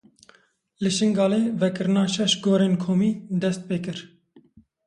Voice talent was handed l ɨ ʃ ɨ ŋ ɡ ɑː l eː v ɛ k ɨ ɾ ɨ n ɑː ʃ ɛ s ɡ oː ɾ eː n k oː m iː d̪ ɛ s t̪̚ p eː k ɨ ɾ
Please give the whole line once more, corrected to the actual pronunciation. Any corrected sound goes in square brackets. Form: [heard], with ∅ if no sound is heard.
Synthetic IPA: l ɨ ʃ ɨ ŋ ɡ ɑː l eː v ɛ k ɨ ɾ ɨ n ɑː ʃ ɛ [ʃ] ɡ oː ɾ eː n [kʰ] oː m iː d̪ ɛ s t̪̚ p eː k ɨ ɾ